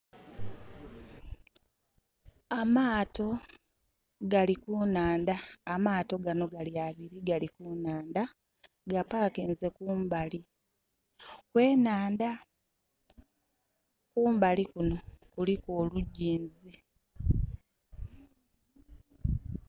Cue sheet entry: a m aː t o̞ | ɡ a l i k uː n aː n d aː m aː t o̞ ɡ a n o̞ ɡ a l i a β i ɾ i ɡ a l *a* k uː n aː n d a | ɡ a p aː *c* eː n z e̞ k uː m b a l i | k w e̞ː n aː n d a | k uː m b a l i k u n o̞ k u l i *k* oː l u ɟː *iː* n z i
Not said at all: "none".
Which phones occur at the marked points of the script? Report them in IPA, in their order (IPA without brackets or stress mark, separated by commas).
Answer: i, k, k, iː